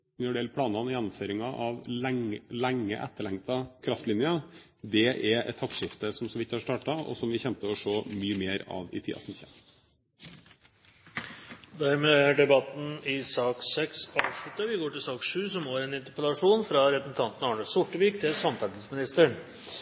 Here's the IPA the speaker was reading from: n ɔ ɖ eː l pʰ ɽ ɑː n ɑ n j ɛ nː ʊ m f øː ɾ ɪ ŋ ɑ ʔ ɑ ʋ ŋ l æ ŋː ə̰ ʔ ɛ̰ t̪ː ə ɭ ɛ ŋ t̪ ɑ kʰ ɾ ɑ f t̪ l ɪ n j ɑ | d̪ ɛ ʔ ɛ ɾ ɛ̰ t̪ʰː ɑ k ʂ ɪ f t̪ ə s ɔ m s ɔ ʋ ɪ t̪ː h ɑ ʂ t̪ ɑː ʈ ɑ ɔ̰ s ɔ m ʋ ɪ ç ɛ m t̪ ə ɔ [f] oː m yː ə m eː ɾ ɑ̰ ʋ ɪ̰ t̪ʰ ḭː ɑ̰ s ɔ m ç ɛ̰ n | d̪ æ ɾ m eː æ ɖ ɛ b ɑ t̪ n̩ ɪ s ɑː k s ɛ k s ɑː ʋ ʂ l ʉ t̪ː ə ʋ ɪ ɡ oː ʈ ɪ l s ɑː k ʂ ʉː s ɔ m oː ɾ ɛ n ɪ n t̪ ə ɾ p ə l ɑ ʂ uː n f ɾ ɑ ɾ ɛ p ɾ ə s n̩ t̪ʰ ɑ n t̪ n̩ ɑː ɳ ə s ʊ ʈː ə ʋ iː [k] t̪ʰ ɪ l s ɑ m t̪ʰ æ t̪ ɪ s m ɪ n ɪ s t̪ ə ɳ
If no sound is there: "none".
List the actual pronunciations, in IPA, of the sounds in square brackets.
ʂ, k

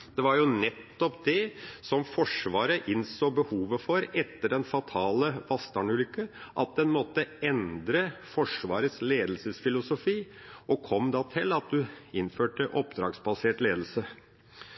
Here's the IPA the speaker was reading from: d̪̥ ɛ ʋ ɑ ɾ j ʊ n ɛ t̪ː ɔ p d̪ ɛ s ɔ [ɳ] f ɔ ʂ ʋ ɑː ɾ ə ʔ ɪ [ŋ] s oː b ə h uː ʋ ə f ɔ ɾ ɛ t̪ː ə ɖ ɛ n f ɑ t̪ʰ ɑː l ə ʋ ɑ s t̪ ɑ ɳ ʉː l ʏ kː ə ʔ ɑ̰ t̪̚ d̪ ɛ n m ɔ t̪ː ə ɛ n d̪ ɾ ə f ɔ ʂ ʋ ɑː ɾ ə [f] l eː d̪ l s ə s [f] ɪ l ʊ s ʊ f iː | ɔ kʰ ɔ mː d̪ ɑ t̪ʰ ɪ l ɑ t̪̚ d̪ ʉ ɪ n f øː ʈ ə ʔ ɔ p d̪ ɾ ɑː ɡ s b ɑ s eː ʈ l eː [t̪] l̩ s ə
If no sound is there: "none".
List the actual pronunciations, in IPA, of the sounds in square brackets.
m, n, s, f, d̪

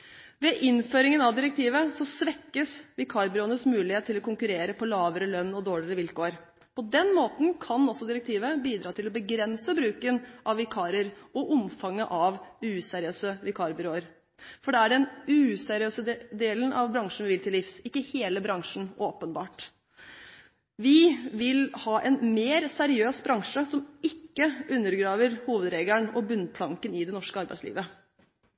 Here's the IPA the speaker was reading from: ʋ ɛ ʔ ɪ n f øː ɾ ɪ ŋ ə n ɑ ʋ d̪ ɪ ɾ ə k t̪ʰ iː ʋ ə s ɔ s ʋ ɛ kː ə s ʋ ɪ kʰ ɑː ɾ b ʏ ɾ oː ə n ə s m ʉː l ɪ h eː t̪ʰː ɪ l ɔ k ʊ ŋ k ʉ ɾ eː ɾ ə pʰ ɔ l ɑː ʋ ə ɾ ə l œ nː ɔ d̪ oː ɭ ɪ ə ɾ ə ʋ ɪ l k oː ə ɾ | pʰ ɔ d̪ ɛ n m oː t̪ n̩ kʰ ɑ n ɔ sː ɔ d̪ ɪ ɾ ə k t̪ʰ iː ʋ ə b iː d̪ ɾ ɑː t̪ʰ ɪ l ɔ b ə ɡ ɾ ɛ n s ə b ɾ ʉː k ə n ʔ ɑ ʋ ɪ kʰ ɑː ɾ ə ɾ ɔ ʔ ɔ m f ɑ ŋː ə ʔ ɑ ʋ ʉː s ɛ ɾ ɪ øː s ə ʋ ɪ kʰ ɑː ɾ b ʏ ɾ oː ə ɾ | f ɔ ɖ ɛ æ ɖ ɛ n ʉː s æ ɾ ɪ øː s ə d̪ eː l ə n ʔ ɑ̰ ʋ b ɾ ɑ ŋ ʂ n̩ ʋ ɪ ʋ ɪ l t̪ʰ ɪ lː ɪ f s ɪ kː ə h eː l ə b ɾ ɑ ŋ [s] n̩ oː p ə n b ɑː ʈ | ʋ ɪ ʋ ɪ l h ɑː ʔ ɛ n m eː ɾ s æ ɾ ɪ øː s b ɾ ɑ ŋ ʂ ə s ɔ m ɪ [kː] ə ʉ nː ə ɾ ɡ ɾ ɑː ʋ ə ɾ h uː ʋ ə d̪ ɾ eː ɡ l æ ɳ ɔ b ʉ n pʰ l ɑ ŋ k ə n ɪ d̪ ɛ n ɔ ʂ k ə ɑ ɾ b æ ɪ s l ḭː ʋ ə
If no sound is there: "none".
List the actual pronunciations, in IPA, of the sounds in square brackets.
ʂ, kː

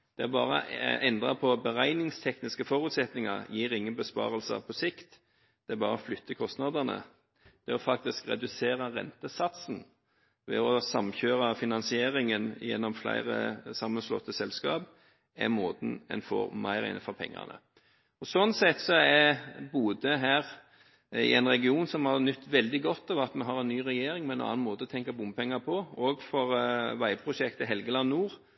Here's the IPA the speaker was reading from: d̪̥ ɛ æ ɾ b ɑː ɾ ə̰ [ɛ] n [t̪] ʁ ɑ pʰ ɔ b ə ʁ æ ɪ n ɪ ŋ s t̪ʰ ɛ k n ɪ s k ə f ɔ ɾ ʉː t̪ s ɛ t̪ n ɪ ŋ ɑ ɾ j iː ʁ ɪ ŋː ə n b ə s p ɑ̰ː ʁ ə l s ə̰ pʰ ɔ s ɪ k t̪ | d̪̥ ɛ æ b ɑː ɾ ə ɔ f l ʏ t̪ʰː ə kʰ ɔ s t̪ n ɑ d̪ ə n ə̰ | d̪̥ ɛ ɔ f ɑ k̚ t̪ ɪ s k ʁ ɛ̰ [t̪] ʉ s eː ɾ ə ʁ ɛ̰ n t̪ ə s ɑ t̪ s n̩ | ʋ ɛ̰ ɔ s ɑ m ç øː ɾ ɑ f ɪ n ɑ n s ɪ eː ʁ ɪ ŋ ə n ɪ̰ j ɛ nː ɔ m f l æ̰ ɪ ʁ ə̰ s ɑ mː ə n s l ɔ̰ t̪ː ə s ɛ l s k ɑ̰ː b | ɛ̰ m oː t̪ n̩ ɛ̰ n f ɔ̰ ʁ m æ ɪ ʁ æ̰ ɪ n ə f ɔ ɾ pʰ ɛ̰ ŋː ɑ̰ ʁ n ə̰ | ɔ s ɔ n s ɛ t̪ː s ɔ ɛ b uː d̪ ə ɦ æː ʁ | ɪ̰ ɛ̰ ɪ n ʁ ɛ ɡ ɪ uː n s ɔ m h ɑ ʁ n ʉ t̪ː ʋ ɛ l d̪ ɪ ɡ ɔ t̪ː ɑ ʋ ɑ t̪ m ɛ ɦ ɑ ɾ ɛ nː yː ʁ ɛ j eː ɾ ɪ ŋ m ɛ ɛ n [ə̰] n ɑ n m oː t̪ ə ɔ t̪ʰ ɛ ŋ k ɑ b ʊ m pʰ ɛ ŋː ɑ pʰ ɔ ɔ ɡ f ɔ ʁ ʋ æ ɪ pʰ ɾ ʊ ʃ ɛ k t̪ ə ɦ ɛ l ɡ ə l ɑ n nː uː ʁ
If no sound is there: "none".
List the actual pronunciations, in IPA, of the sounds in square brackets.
ɛ, d̪, d̪, ɑ̰

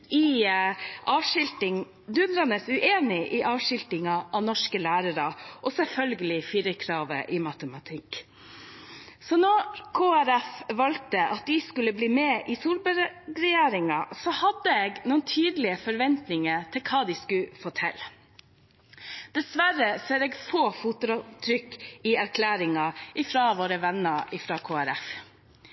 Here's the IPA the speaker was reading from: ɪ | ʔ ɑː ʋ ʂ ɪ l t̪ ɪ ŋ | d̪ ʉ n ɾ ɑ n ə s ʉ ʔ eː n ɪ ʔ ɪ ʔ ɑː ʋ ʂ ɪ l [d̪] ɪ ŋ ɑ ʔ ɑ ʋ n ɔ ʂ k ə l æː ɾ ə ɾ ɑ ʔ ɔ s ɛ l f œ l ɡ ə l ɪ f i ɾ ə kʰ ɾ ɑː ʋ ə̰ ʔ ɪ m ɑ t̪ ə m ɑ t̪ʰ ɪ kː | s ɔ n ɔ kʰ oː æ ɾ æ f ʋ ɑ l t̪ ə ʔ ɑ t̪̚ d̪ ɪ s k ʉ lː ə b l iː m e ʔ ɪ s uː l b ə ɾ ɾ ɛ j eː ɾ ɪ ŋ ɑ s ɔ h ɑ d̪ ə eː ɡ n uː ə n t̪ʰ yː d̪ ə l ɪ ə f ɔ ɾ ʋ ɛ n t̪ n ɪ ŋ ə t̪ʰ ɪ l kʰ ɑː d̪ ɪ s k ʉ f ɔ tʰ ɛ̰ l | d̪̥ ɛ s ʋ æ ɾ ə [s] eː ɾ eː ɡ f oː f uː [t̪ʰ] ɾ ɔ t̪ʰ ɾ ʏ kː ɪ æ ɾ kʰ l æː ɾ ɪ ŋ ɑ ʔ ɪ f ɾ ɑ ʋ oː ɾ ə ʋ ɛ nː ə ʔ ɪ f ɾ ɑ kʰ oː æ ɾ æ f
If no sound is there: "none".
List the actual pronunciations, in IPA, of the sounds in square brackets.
t̪, s, t̪

